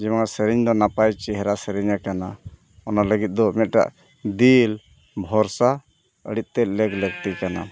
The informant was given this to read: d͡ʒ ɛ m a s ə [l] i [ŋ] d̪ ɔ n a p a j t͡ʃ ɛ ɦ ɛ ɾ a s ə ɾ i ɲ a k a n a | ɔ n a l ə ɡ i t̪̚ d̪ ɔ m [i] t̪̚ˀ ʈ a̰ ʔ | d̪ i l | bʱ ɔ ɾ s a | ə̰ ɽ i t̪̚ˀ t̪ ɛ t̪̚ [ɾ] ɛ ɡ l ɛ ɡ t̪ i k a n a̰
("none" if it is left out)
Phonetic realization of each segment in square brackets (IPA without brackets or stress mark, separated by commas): ɾ, ɲ, ɛ, l